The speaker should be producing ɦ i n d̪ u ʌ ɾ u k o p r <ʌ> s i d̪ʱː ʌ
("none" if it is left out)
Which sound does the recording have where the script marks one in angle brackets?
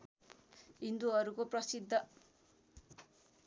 ʌ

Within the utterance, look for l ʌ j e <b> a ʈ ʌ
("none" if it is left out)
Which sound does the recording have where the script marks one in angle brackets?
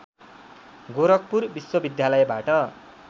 b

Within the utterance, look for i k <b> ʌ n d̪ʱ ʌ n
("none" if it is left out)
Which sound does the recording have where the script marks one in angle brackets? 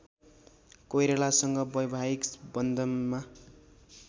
b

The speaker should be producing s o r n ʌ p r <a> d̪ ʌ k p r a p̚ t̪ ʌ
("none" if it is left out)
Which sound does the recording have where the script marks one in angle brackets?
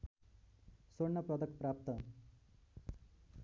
ʌ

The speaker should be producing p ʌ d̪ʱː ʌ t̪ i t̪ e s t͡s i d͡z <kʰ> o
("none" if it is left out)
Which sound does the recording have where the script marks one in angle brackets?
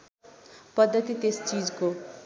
k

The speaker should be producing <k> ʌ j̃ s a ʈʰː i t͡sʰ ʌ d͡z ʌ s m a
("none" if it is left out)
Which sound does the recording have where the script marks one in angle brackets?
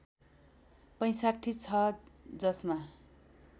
p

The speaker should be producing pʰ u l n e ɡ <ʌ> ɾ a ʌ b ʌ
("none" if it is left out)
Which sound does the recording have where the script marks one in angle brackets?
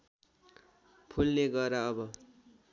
ʌ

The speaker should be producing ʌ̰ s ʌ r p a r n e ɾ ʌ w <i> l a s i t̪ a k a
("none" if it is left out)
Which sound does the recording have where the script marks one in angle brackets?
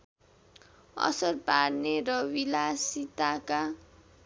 i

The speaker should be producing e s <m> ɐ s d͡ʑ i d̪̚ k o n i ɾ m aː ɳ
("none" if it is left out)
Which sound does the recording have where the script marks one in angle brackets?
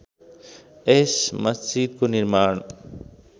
m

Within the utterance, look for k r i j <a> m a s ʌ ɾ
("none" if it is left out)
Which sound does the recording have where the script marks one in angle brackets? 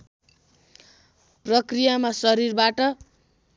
a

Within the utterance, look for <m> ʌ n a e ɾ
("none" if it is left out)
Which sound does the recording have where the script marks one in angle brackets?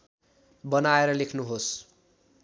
b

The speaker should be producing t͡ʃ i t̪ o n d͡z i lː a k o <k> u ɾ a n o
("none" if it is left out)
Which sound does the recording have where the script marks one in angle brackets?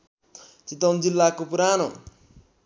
p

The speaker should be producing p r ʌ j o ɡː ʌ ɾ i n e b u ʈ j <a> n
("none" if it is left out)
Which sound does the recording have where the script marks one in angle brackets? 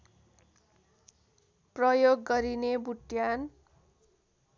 a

